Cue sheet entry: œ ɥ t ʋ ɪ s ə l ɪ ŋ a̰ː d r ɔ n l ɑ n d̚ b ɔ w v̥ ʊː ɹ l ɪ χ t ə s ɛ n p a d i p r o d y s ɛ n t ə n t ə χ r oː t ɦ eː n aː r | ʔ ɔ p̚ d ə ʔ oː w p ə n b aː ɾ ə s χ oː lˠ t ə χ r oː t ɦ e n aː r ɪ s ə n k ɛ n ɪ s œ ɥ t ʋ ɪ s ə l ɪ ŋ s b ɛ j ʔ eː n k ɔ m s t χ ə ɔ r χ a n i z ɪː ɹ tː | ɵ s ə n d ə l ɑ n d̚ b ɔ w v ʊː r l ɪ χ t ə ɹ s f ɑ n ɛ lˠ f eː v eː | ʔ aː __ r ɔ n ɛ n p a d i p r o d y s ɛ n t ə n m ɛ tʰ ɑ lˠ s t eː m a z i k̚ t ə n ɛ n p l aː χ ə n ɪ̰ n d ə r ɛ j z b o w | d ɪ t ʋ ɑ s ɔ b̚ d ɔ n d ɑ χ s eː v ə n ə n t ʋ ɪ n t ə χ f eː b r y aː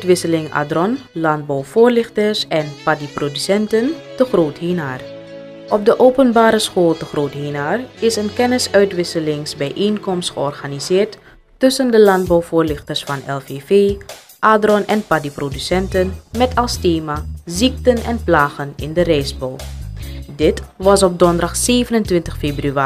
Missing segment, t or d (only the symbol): d